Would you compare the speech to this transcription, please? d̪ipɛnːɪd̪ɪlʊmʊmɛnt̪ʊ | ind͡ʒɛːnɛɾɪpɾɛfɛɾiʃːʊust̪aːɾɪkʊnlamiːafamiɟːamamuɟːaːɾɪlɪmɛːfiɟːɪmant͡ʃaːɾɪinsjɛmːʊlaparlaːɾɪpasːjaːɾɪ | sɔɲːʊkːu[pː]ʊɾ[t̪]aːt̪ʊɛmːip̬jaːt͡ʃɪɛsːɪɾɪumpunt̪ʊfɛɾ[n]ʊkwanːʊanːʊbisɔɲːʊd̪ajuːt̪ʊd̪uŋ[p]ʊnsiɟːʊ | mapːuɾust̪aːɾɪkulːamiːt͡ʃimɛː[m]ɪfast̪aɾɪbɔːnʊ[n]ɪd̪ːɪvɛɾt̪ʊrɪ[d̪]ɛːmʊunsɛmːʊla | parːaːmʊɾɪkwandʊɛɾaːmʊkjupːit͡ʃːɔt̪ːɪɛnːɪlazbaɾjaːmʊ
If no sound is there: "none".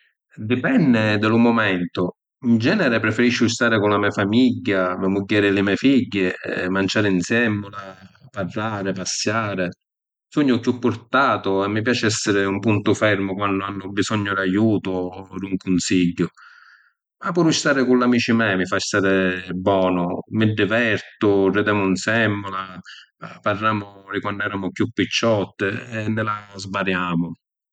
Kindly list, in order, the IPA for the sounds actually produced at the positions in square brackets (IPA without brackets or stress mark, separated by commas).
pː, t̪, m, k, m, m, d̪